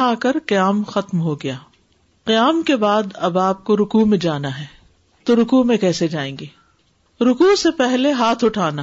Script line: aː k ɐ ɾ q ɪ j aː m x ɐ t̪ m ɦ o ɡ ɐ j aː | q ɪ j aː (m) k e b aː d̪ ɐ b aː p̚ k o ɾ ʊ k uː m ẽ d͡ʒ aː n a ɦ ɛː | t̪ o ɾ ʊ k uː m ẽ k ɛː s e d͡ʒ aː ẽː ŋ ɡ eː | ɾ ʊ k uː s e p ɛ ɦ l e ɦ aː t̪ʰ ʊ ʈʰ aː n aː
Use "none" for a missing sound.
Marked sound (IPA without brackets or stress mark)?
m